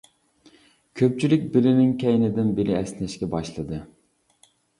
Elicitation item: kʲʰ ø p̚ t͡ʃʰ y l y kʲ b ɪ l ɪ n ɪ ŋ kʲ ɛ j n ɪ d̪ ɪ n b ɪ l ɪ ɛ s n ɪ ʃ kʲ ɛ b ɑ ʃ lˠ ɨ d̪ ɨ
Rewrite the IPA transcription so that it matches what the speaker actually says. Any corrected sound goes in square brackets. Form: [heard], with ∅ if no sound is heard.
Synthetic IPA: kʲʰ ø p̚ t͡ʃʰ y l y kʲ b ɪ l ɪ n ɪ ŋ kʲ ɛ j n ɪ d̪ ɪ n b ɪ l ɪ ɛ s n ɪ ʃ kʲ ɛ b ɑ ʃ lˠ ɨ d̪ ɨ